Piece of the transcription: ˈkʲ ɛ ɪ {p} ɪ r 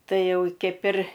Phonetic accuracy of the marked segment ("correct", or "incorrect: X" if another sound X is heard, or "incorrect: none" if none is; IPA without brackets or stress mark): correct